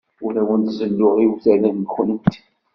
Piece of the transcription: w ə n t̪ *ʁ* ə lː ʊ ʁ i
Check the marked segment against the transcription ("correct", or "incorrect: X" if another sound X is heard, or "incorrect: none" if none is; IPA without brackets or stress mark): incorrect: z